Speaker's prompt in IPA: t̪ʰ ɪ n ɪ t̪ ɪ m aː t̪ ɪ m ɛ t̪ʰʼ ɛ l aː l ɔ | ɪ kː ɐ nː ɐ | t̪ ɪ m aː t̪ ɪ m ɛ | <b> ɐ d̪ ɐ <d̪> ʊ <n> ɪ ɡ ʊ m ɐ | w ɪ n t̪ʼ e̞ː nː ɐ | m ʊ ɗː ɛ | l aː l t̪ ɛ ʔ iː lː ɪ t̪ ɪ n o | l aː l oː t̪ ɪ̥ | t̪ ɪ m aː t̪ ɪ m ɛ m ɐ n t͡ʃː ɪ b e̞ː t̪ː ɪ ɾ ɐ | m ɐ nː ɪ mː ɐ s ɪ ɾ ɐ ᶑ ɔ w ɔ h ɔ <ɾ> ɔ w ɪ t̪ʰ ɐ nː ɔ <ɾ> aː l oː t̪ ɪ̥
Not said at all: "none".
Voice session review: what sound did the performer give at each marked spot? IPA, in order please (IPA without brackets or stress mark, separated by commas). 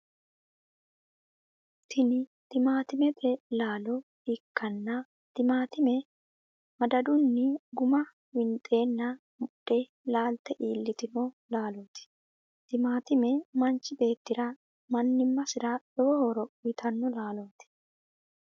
m, d̪, nː, ɾ, l